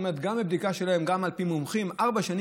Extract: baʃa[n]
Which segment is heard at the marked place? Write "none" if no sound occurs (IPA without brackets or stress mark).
n